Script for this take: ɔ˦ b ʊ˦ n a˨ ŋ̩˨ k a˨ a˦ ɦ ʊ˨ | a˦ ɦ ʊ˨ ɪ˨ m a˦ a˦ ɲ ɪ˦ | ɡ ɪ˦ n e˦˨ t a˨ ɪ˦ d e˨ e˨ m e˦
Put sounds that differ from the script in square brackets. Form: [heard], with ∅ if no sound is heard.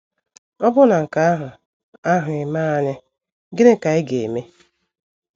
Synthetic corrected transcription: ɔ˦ b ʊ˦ n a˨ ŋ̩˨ k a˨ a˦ ɦ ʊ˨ | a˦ ɦ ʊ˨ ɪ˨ m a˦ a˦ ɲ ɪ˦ | ɡ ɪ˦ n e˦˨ [k] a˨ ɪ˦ [ɡ] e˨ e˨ m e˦